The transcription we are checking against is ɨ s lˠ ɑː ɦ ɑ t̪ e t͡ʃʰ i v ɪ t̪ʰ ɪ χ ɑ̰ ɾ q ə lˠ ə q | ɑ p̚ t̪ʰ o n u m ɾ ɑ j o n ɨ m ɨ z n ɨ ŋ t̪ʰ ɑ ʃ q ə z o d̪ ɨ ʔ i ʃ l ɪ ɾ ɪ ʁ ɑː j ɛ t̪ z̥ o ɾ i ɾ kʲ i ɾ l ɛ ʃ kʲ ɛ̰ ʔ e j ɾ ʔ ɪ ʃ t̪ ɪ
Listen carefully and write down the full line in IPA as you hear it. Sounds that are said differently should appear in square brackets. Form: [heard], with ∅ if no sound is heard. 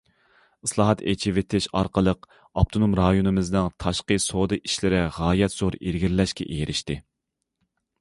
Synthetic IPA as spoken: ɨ s lˠ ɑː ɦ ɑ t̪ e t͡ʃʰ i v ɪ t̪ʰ ɪ [ʃ] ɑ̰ ɾ q ə lˠ ə q | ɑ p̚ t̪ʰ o n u m ɾ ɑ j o n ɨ m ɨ z n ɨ ŋ t̪ʰ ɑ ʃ q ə [s] o d̪ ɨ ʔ i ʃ l ɪ ɾ ɪ ʁ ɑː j ɛ t̪ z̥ o ɾ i ɾ [ɡʲ] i ɾ l ɛ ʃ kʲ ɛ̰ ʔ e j ɾ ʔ ɪ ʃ t̪ ɪ